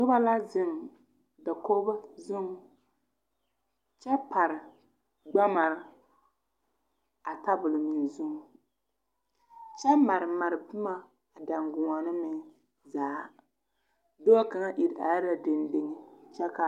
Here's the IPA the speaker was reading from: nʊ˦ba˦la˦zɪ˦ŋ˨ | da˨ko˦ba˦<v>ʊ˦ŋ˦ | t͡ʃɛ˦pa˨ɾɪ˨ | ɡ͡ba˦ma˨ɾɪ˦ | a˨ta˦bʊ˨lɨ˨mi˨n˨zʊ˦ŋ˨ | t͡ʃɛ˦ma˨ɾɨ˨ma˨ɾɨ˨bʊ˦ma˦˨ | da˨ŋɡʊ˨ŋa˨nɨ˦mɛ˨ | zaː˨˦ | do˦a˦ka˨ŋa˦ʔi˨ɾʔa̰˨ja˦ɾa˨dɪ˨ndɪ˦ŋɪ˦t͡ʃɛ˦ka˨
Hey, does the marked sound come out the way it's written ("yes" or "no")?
no